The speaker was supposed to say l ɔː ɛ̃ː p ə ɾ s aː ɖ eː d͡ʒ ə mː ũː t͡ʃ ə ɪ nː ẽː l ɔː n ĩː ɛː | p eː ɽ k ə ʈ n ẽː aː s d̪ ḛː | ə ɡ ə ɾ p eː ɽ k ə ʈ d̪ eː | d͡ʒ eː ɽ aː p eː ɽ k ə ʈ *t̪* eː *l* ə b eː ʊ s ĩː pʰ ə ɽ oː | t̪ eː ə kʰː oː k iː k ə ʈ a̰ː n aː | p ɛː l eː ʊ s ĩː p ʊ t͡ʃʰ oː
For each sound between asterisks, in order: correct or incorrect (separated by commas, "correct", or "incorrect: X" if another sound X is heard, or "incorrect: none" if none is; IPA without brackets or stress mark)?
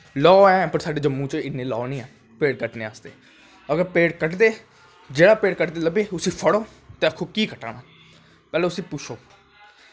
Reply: incorrect: d̪, correct